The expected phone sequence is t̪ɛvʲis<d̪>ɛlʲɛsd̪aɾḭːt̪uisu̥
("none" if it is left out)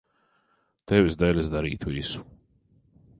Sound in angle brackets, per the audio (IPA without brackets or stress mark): d̪